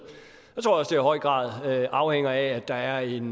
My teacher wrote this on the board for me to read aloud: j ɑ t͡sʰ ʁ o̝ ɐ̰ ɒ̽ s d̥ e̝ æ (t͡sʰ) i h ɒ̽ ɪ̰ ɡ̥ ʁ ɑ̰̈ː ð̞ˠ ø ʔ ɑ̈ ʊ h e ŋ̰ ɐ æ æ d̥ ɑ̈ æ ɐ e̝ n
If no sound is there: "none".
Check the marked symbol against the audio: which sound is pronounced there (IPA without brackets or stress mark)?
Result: none